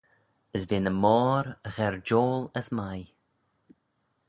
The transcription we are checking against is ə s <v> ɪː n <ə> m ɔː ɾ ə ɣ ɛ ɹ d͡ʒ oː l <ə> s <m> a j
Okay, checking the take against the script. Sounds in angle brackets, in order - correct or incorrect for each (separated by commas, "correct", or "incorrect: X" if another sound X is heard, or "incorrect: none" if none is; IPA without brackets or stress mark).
correct, correct, correct, correct